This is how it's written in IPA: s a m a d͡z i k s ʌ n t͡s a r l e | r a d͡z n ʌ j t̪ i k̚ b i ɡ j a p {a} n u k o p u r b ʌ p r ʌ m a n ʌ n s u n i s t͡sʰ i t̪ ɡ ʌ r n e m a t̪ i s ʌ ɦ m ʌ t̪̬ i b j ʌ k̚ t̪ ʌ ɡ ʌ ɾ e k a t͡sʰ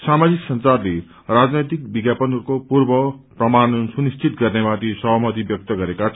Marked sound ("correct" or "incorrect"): incorrect